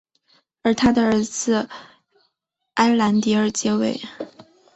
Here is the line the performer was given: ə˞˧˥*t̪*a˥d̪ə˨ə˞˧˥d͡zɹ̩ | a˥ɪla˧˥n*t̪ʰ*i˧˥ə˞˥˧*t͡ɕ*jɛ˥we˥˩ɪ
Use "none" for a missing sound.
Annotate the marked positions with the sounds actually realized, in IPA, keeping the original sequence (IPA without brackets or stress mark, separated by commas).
t̪ʰ, t̪, t͡ɕ